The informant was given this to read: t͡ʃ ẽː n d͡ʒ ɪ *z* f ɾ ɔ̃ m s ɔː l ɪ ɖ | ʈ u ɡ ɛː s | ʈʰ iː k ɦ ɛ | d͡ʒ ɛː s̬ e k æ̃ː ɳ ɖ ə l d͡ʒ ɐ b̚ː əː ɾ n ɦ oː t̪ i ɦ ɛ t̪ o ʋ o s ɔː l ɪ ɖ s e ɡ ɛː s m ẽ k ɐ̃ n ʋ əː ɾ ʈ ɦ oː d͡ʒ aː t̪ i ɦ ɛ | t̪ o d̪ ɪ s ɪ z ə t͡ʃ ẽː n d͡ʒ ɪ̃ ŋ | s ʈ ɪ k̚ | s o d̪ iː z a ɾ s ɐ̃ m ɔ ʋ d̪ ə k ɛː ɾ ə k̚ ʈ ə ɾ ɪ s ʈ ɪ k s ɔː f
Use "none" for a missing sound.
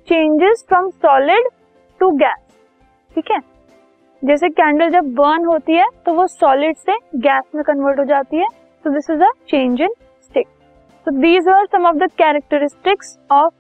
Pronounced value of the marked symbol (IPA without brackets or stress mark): z